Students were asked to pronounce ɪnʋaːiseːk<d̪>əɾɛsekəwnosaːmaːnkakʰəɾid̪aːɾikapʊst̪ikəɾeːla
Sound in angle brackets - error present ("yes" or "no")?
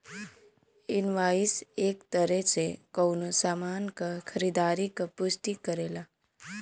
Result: yes